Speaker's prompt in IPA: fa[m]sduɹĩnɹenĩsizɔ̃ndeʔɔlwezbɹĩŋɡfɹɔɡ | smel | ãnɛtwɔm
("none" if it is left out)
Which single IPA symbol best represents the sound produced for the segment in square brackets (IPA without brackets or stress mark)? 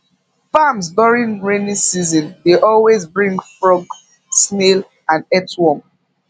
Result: m